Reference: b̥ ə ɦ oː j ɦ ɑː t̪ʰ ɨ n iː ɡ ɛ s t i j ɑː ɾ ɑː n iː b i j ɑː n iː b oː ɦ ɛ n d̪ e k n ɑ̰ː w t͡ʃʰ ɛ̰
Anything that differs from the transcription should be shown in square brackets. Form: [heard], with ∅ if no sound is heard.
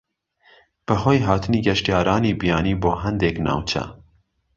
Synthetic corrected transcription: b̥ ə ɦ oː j ɦ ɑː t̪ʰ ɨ n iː ɡ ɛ [ʃ] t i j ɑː ɾ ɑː n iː b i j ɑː n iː b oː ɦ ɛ n d̪ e k n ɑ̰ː w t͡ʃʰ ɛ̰